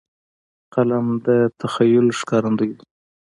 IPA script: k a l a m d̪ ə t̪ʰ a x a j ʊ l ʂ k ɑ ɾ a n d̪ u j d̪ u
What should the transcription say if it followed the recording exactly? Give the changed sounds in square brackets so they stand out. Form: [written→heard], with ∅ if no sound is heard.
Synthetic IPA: [k→q] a l a m d̪ ə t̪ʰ a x a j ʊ l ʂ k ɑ ɾ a n d̪ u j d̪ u